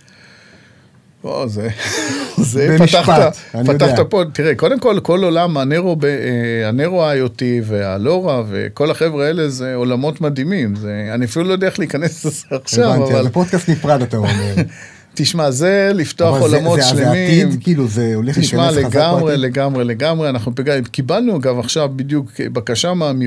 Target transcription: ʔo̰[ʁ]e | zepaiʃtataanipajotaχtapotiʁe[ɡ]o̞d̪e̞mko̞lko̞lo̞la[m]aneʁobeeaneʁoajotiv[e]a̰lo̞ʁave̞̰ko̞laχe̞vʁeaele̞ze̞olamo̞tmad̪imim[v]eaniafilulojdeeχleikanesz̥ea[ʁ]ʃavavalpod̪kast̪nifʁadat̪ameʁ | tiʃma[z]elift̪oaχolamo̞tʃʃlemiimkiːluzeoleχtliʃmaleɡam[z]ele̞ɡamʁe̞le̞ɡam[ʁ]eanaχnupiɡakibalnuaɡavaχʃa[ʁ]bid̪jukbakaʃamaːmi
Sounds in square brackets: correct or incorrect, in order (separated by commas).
incorrect, incorrect, correct, correct, incorrect, incorrect, correct, incorrect, correct, incorrect